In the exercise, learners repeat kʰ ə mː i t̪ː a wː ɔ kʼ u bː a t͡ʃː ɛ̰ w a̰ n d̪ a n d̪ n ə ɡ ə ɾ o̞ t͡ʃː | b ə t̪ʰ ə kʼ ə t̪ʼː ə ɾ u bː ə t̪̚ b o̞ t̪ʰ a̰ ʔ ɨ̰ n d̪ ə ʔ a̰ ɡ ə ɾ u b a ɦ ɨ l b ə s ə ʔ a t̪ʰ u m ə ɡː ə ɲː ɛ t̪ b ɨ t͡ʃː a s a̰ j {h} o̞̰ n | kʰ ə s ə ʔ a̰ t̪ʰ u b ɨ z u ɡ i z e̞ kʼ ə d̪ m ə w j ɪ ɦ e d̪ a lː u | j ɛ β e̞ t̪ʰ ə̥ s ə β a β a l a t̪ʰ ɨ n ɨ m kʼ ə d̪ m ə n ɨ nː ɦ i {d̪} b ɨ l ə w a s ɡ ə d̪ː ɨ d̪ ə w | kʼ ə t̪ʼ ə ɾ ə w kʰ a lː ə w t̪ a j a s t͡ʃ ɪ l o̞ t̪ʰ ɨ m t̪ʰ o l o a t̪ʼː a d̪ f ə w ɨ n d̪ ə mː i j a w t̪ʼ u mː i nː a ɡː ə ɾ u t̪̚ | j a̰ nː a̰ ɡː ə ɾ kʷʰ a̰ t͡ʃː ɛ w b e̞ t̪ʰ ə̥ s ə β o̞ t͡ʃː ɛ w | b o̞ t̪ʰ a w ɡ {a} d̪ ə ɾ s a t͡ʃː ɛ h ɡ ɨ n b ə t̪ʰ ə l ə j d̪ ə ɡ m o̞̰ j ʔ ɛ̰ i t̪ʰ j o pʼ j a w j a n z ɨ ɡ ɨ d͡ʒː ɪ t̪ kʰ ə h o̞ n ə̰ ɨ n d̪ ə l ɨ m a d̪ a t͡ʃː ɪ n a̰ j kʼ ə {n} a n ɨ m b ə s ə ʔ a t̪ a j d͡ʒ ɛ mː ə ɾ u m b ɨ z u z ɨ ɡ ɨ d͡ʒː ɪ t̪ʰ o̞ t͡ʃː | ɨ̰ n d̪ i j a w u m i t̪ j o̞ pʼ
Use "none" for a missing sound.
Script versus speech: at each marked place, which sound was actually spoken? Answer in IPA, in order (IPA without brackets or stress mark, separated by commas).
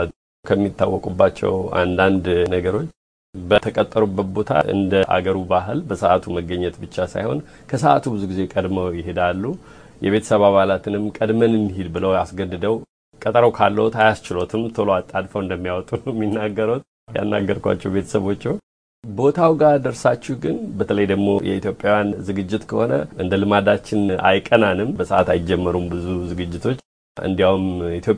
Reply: h, d̪, a, n